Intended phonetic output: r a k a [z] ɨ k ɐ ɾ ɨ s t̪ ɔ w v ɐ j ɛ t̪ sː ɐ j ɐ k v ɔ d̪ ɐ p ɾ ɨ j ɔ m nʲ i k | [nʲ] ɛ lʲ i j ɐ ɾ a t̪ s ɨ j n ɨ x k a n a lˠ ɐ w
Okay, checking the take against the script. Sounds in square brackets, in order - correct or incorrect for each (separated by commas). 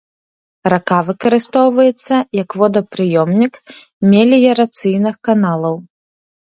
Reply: incorrect, incorrect